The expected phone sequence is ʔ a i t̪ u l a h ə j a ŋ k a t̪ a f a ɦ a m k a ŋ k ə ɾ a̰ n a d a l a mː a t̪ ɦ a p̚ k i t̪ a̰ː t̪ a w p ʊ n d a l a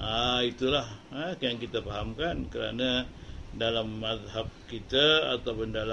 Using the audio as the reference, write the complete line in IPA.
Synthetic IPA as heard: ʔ a i t̪ u l a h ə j a ŋ k i t̪ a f a ɦ a m k a n k ə ɾ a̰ n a d a l a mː a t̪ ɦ a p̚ k i t̪ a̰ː t̪ a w p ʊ n d a l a